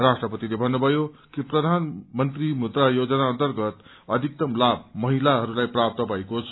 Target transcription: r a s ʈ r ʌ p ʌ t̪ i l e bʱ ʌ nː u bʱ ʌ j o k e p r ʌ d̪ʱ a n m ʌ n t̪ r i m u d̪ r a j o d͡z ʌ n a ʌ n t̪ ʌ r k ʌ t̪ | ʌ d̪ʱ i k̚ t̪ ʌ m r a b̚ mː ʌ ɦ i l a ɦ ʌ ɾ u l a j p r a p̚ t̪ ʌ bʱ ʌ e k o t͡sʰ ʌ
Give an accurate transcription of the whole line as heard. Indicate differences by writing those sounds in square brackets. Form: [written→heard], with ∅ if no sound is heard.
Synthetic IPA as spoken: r a s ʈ r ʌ p ʌ t̪ i l e bʱ ʌ nː u bʱ ʌ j o k [e→i] p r ʌ d̪ʱ a n m ʌ n t̪ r i m u d̪ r a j o d͡z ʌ n a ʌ n t̪ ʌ r [k→ɡ] ʌ t̪ | ʌ d̪ʱ i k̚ t̪ ʌ m [r→l] a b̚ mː ʌ ɦ i l a ɦ ʌ ɾ u l a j p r a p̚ t̪ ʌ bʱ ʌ e k o t͡sʰ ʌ